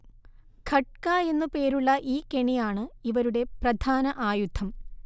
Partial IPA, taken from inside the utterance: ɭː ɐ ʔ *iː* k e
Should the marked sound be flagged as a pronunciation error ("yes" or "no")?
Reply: no